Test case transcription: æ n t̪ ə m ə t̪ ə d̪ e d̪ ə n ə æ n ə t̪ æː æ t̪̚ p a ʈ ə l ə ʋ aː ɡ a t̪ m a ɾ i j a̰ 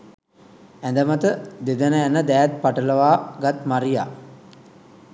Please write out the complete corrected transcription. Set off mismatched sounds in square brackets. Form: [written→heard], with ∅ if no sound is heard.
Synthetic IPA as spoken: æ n [t̪→d̪] ə m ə t̪ ə d̪ e d̪ ə n ə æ n ə [t̪→d̪] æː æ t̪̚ p a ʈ ə l ə ʋ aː ɡ a t̪ m a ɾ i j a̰